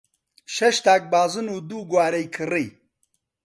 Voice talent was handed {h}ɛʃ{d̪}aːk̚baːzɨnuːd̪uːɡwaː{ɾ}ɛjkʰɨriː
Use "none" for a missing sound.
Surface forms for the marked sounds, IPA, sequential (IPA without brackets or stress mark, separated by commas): ʃ, t̪, ɾ